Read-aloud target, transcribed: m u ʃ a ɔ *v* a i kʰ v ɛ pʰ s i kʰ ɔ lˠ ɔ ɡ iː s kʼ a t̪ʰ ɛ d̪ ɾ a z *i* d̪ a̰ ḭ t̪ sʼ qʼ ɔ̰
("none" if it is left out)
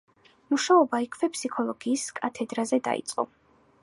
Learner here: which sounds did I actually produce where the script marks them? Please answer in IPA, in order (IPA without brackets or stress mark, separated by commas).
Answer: b, ɛ